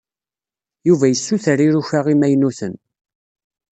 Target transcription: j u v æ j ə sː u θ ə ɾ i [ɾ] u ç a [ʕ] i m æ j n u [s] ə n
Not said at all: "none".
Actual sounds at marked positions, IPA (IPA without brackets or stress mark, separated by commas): ɾ, ʁ, θ